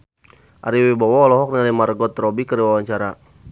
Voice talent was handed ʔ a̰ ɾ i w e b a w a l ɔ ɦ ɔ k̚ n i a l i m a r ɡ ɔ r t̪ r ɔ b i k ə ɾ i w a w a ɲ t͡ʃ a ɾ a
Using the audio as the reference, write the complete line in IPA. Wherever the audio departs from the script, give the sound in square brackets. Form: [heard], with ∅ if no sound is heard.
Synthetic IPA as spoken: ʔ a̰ ɾ i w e b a w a l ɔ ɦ ɔ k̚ n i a l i m a r ɡ ɔ [∅] t̪ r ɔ b i k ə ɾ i w a w a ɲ t͡ʃ a ɾ a